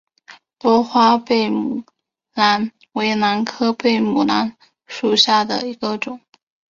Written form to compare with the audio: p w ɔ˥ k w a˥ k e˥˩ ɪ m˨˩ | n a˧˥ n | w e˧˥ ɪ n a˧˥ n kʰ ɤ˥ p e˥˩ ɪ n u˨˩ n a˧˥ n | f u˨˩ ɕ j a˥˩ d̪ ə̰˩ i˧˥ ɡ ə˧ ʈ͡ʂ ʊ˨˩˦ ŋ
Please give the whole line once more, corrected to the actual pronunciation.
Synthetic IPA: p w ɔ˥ x w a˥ p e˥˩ ɪ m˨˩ | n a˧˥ n | w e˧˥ ɪ n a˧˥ n kʰ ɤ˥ p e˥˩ ɪ m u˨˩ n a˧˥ n | ʂ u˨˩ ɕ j a˥˩ d̪ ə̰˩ i˧˥ ɡ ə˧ ʈ͡ʂ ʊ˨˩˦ ŋ